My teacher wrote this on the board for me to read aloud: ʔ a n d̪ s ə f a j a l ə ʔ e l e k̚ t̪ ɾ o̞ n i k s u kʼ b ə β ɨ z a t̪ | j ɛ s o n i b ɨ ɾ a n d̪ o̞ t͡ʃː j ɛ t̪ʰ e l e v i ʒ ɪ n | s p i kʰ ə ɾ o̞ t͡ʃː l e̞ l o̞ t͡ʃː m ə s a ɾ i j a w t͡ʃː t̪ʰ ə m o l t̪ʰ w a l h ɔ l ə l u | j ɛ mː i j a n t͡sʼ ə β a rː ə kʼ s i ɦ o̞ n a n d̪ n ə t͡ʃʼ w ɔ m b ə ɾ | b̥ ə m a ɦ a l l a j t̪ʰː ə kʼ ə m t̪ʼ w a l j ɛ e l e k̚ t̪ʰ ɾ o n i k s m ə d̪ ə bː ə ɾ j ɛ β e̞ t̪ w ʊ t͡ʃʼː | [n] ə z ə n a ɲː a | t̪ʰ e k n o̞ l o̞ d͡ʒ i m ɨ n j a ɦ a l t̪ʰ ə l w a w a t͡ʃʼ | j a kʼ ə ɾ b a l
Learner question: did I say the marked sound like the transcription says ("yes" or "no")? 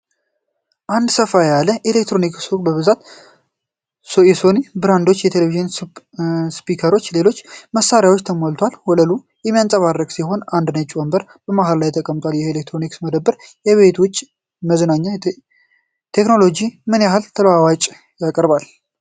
no